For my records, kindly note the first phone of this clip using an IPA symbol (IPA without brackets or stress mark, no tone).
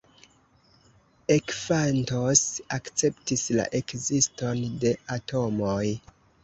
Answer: e̞